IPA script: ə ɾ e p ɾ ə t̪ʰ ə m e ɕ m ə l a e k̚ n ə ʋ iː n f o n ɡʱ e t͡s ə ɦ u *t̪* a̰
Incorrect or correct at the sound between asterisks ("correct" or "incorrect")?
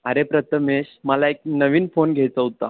correct